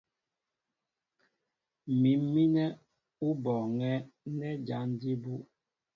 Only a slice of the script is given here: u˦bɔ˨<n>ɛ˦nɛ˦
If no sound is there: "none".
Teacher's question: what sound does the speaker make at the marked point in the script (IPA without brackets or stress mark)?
ŋ